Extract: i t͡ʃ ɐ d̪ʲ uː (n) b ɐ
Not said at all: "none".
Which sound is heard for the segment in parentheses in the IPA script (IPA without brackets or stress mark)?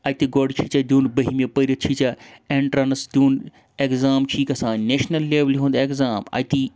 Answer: n